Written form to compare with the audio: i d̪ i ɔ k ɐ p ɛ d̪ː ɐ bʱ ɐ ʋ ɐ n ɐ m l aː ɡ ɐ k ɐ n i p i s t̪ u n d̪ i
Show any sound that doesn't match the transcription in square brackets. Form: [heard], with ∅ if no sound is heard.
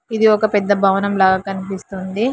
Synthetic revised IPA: i d̪ i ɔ k ɐ p ɛ d̪ː ɐ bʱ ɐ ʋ ɐ n ɐ m l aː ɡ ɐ k ɐ n i p i s t̪ u n d̪ i